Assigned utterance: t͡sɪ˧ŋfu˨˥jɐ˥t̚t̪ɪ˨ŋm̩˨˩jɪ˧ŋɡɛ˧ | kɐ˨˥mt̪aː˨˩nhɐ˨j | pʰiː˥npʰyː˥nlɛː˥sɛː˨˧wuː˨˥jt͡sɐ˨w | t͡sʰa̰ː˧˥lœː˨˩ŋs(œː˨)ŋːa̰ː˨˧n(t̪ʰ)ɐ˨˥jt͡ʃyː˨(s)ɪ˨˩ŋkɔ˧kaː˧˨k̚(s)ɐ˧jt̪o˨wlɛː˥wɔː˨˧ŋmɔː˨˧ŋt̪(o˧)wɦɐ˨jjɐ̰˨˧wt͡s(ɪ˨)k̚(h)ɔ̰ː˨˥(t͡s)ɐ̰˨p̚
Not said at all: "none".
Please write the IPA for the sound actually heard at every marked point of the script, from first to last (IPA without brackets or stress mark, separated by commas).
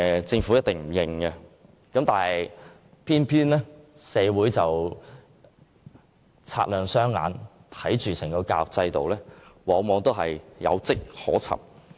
œː˥, t̪ʰ, s, t͡s, o˥, ɪ˥, h, t͡sʰ